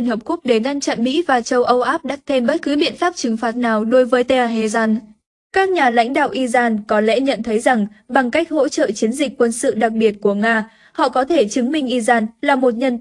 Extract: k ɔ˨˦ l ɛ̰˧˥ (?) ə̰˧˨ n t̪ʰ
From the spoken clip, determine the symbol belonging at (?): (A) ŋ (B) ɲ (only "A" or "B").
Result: B